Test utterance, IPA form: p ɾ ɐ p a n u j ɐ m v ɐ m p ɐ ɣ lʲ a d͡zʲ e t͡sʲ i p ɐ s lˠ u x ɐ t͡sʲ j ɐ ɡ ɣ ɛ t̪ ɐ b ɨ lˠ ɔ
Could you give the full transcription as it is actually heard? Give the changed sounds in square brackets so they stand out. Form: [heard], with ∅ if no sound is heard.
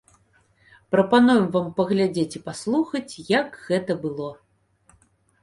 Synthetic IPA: p ɾ ɐ p a n u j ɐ m v [a] m p ɐ ɣ lʲ a d͡zʲ e t͡sʲ i p [a] s lˠ u x ɐ t͡sʲ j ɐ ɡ ɣ ɛ t̪ ɐ b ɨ lˠ ɔ

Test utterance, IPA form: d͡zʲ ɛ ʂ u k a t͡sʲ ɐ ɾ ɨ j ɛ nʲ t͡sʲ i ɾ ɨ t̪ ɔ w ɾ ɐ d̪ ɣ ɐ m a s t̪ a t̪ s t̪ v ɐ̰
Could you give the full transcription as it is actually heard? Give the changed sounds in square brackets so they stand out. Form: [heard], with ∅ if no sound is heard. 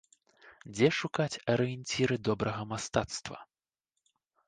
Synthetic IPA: d͡zʲ ɛ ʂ u k a t͡sʲ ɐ ɾ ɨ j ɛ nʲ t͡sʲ i ɾ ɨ [d̪] ɔ [b] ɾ ɐ [∅] ɣ ɐ m a s t̪ a t̪ s t̪ v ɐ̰

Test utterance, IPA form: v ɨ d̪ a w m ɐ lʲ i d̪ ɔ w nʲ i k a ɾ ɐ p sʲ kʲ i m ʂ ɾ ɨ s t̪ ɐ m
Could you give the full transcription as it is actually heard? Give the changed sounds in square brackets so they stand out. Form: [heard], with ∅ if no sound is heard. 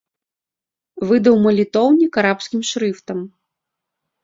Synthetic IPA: v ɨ d̪ [ɐ] w m ɐ lʲ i [t̪] ɔ w nʲ i k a ɾ [a] p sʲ kʲ i m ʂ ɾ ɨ [f] t̪ ɐ m

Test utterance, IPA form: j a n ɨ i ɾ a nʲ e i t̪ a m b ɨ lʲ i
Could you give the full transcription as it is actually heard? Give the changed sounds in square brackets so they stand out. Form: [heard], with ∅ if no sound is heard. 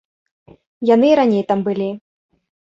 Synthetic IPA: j a n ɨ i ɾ a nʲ e [j] t̪ a m b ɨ lʲ i

